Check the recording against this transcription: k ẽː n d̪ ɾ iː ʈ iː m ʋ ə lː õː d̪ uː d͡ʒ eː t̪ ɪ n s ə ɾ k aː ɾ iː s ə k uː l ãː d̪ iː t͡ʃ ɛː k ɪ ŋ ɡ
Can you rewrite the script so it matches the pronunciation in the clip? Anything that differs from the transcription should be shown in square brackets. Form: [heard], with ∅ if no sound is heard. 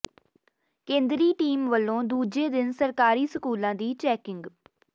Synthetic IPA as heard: k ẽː n d̪ ɾ iː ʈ iː m ʋ ə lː õː d̪ uː d͡ʒ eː [d̪] ɪ n s ə ɾ k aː ɾ iː s ə k uː l ãː d̪ iː t͡ʃ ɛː k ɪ ŋ ɡ